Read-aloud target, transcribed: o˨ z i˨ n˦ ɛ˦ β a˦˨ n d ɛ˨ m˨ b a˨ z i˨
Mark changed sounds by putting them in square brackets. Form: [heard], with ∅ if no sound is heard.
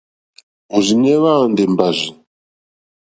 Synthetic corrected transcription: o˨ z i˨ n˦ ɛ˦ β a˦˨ n d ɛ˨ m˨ b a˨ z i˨